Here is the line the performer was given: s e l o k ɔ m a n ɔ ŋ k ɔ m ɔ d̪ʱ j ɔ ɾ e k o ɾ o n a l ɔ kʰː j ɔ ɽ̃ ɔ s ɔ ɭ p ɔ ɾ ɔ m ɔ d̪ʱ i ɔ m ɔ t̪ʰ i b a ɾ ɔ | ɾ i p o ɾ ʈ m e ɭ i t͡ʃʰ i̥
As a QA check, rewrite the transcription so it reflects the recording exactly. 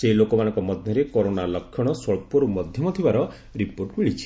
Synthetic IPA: s e l o k ɔ m a n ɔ ŋ k ɔ m ɔ d̪ʱ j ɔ ɾ e k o ɾ o n a l ɔ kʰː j ɔ ɽ̃ ɔ s ɔ ɭ p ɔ ɾ u m ɔ d̪ʱ j ɔ m ɔ t̪ʰ i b a ɾ ɔ | ɾ i p o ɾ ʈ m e ɭ i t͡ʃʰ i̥